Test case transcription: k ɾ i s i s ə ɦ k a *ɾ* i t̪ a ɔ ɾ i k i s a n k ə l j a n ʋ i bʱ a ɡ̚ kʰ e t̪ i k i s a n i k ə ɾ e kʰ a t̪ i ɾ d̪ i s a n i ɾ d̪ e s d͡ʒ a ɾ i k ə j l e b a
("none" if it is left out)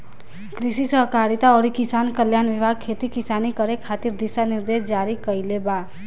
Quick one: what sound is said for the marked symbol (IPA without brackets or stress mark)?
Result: ɾ